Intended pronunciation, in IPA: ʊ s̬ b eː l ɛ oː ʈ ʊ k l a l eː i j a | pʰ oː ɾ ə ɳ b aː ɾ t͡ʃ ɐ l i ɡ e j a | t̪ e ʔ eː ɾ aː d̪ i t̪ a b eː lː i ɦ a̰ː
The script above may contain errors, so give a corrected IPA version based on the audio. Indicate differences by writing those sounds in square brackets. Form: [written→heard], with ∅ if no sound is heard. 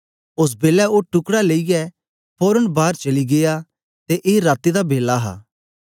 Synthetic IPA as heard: ʊ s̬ b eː l ɛ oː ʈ ʊ k [l→ɽ] a l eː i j [a→ɛ] | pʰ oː ɾ ə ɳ b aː ɾ t͡ʃ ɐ l i ɡ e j a | t̪ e ʔ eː ɾ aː [d̪→t̪] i [t̪→d̪] a b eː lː [i→a] ɦ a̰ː